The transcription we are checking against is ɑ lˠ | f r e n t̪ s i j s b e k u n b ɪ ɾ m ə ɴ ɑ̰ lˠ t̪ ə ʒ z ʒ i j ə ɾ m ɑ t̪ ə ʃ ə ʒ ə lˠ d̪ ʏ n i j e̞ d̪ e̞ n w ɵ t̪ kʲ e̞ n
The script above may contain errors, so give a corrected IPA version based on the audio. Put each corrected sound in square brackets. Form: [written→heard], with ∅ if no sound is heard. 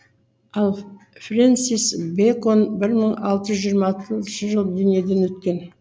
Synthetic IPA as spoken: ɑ lˠ | f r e n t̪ s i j s b e k [u→o] n b ɪ ɾ m ə ɴ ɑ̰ lˠ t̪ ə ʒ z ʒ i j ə ɾ m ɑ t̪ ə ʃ ə ʒ ə lˠ d̪ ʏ n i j e̞ d̪ e̞ n w ɵ t̪ kʲ e̞ n